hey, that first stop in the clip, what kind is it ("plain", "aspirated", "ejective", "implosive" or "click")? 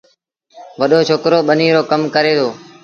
implosive